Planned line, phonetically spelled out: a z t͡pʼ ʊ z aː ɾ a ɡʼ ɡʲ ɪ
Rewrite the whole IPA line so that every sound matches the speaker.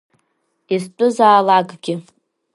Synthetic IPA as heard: i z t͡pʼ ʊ z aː l a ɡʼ ɡʲ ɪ